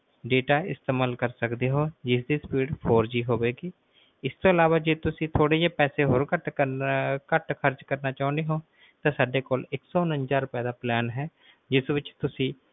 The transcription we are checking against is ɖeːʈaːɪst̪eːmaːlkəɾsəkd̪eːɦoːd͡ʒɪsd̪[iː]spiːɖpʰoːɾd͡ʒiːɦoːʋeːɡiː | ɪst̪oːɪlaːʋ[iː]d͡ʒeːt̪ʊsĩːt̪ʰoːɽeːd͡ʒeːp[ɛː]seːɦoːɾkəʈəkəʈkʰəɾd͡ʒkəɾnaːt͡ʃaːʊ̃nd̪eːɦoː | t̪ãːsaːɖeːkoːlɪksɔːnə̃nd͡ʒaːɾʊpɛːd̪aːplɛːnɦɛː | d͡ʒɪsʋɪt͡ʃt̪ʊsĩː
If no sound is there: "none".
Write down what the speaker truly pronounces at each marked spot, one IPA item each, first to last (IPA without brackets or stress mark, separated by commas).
iː, aː, ɛː